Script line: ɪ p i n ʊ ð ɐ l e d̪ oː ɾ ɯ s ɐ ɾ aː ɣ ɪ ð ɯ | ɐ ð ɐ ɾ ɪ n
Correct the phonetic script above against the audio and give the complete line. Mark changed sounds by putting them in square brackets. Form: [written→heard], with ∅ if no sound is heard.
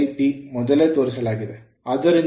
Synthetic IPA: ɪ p i [n→m] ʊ ð ɐ l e [d̪→t̪] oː ɾ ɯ s ɐ [ɾ→l] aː ɣ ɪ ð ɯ | ɐ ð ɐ ɾ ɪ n